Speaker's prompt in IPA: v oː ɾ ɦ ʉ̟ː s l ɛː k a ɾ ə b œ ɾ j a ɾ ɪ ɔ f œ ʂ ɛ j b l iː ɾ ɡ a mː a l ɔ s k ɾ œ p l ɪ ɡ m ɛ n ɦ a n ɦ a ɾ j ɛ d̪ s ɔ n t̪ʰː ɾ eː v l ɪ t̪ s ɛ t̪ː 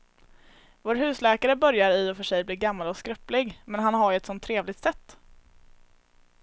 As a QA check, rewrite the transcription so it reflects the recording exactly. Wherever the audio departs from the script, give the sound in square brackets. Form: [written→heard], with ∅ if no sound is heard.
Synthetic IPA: v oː ɾ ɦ ʉ̟ː s l ɛː k a ɾ ə b œ ɾ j a ɾ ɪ ɔ f œ ʂ ɛ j b l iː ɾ ɡ a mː a l ɔ s k ɾ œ p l ɪ ɡ m ɛ n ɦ a n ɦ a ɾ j ɛ [d̪→t̪] s ɔ n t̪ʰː ɾ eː v l ɪ t̪ s ɛ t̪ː